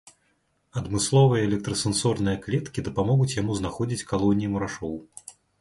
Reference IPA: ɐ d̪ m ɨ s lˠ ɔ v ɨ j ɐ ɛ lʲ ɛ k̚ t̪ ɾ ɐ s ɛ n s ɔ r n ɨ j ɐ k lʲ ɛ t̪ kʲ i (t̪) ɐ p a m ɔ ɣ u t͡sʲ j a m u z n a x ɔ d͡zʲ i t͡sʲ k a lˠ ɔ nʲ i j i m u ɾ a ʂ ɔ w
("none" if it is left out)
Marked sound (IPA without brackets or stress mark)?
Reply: d̪